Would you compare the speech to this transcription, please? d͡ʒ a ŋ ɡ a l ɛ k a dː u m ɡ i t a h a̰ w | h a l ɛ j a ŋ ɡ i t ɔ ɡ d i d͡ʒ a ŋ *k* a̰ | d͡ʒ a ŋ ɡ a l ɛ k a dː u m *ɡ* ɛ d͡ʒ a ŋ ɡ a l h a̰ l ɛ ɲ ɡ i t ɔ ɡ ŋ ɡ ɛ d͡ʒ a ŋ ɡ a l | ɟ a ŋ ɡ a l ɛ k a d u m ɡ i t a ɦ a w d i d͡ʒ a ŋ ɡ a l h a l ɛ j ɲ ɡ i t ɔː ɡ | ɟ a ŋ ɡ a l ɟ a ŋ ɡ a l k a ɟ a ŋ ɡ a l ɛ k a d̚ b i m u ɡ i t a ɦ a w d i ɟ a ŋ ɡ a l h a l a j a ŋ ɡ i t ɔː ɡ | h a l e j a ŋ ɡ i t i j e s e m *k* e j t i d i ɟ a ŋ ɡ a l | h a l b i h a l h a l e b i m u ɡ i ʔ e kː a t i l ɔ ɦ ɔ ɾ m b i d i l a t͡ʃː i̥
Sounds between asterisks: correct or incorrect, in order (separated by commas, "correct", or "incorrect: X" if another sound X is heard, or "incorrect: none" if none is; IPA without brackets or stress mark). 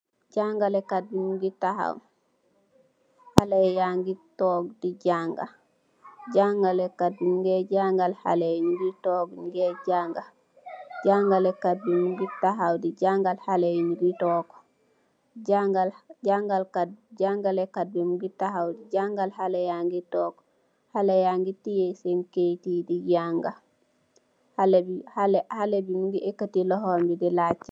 incorrect: ɡ, correct, correct